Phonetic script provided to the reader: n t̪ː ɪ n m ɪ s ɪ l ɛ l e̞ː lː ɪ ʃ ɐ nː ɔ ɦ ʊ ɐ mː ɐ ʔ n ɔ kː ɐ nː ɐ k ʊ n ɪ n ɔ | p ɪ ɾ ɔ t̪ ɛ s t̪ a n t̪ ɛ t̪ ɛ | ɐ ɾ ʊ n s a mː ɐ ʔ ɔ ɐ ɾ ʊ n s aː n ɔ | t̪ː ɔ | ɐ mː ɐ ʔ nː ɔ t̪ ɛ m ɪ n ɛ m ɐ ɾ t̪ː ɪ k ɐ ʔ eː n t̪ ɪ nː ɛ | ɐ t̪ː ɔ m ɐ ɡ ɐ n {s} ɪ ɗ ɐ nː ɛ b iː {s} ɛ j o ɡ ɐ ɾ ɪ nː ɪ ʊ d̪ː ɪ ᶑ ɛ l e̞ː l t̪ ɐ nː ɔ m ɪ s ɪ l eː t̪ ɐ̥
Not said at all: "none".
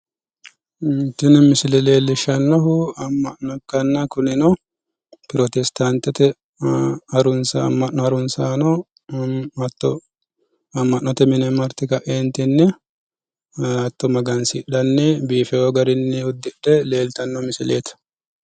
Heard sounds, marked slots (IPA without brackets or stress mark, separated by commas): s, f